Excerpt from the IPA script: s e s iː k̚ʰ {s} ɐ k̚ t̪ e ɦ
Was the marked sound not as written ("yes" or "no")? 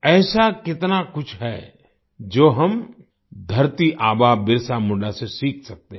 no